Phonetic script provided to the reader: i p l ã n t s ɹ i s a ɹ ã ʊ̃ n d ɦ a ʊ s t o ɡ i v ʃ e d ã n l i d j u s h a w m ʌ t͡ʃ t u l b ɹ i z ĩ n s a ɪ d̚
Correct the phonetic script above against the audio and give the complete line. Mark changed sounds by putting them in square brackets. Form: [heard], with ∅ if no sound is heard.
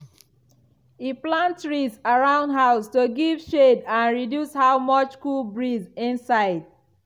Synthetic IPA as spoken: i p l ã n t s ɹ i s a ɹ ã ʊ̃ n d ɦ a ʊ s t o ɡ i v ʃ e d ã n [ɹ] i d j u s h a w m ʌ t͡ʃ [k] u l b ɹ i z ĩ n s a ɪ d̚